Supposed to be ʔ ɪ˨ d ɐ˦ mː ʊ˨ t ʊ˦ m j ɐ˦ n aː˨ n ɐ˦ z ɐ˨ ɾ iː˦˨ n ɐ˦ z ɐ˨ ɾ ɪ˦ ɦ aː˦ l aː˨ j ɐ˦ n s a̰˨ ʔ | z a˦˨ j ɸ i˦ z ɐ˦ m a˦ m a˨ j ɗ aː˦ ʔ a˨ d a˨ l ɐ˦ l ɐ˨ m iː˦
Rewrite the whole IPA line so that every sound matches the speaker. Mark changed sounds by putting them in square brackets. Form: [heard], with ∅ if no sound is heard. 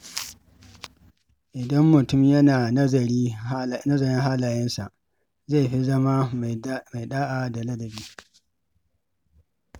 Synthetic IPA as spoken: ʔ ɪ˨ d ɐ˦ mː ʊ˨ t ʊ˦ m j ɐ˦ n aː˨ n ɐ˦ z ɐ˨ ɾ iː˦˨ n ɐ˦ z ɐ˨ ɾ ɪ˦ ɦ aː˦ l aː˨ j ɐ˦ n s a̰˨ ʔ | z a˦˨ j ɸ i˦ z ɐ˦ m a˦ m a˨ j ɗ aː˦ ʔ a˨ d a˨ l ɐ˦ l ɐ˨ [b] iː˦